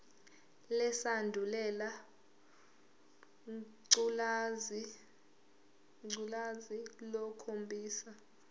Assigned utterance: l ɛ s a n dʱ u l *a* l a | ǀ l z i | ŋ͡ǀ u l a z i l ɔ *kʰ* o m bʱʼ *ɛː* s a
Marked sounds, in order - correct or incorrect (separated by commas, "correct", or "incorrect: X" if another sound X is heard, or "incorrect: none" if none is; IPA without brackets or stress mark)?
incorrect: ɛ, correct, incorrect: iː